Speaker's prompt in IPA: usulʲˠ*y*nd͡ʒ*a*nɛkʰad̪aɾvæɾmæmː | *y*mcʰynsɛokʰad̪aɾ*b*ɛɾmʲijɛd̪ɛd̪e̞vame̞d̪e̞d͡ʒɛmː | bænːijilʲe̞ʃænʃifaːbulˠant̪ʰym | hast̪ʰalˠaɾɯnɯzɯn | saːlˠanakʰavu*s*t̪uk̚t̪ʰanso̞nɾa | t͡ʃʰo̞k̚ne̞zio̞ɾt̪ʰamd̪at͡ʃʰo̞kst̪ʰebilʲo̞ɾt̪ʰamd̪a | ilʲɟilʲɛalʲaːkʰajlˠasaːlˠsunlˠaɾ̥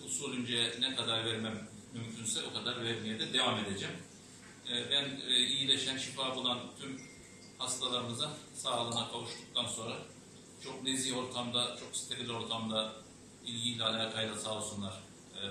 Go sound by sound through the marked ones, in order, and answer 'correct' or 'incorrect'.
correct, incorrect: ɛ, correct, incorrect: v, incorrect: ʃ

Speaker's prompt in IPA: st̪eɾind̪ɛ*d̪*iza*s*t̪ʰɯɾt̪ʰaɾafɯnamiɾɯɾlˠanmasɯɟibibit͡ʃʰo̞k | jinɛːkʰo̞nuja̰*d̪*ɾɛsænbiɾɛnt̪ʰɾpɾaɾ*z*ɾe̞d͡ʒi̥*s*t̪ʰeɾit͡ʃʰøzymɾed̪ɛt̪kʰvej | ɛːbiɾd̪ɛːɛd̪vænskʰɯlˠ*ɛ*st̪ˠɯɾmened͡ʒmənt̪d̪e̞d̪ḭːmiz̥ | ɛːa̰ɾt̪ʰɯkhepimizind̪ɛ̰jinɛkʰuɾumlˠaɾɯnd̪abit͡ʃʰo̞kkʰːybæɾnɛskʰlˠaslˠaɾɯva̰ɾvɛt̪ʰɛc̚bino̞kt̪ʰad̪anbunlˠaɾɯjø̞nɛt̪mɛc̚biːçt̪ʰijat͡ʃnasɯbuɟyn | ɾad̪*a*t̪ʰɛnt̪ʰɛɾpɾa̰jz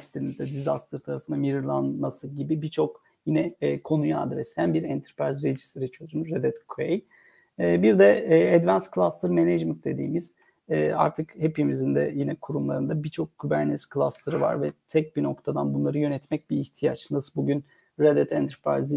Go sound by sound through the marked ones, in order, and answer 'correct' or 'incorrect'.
correct, correct, correct, correct, correct, incorrect: a, incorrect: ɛ

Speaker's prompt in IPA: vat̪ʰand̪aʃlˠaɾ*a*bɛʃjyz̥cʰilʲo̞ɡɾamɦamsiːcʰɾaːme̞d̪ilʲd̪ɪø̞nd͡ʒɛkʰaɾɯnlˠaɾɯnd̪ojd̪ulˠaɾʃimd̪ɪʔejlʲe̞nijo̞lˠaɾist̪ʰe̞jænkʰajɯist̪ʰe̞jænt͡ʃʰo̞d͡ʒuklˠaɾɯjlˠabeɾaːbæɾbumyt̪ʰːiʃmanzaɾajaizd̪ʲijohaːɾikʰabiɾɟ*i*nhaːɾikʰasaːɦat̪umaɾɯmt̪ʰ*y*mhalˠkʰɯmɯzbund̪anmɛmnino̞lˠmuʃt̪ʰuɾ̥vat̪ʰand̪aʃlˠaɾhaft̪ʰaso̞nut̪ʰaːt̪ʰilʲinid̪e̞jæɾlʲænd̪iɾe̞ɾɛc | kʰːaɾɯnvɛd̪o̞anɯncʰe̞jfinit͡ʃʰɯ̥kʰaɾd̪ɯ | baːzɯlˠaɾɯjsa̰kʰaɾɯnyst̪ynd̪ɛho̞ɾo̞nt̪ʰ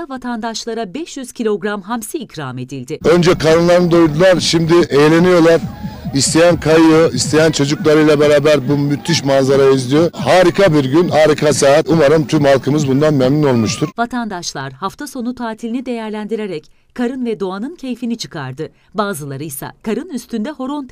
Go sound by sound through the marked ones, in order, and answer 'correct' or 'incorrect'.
correct, incorrect: y, correct

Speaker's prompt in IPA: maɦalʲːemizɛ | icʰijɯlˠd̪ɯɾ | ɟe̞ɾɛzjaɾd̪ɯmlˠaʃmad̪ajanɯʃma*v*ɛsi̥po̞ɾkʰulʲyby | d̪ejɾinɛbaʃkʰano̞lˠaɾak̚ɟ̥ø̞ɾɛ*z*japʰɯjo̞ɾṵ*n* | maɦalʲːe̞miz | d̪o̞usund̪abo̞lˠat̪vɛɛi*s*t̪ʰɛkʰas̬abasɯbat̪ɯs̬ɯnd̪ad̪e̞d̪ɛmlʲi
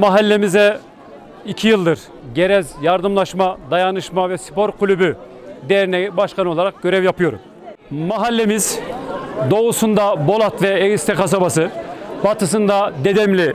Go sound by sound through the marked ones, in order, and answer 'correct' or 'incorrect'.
correct, incorrect: v, incorrect: m, correct

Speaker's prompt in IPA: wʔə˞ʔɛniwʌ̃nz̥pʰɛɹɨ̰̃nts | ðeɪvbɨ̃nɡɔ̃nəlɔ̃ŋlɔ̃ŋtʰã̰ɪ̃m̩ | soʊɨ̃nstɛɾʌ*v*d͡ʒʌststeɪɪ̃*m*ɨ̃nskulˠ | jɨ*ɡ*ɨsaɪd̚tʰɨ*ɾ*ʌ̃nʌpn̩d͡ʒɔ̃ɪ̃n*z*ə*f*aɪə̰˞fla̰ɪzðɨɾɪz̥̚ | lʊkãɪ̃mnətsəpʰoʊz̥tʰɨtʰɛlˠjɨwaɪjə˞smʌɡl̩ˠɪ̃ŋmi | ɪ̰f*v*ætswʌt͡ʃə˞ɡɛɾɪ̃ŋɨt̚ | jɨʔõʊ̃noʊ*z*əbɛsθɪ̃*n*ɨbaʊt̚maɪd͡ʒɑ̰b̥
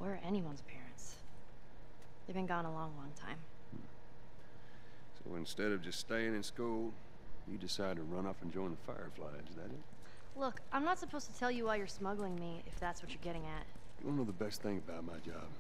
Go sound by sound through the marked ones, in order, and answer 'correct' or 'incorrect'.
correct, incorrect: ŋ, incorrect: d, incorrect: ɹ, incorrect: ð, correct, incorrect: ð, incorrect: ð, incorrect: ŋ

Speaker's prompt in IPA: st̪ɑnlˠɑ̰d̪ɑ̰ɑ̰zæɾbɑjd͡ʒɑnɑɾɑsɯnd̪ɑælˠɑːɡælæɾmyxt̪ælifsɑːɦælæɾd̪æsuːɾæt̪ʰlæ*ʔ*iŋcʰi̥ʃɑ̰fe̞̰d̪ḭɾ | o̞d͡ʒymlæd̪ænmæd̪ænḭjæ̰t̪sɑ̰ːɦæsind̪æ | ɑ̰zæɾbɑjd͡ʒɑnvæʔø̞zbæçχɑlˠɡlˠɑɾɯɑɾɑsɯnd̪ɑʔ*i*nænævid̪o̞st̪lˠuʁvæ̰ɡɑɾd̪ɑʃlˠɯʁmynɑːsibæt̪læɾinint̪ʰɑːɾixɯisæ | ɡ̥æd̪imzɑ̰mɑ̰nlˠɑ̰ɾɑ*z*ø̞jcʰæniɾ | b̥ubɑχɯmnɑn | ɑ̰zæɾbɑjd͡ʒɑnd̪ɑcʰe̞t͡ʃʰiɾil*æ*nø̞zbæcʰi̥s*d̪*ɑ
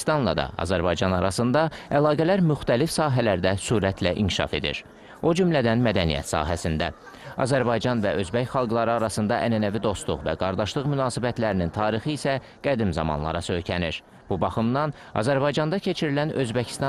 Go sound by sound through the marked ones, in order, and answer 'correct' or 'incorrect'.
correct, incorrect: æ, incorrect: s, correct, incorrect: t̪

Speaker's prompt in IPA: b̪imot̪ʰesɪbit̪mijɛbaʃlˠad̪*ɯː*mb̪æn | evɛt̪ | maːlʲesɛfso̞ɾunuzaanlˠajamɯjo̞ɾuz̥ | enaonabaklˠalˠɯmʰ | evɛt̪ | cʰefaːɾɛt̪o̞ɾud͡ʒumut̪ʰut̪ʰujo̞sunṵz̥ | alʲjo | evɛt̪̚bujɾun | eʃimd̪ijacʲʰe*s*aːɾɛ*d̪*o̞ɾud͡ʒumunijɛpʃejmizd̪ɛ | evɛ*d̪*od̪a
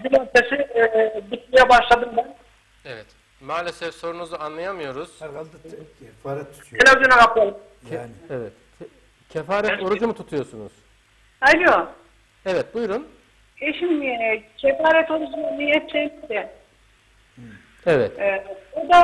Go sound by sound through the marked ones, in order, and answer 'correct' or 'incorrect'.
incorrect: ɯ, incorrect: f, incorrect: t̪, incorrect: t̪

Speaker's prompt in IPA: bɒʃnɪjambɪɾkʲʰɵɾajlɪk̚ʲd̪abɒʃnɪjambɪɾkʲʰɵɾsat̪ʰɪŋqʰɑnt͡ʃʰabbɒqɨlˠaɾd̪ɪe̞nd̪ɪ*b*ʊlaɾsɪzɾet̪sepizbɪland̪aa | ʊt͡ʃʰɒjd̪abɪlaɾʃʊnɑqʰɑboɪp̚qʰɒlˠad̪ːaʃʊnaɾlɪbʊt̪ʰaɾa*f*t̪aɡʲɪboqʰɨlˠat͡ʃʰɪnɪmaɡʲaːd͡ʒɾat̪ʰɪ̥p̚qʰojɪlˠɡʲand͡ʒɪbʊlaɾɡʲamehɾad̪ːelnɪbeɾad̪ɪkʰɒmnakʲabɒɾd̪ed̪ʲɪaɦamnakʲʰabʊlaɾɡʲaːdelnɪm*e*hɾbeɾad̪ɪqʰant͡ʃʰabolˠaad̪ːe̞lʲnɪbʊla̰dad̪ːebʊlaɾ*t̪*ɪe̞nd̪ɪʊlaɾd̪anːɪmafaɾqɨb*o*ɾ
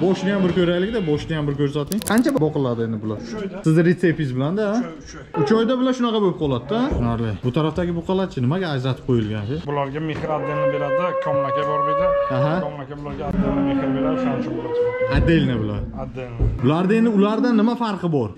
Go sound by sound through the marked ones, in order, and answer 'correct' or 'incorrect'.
correct, correct, correct, incorrect: d̪, incorrect: ɒ

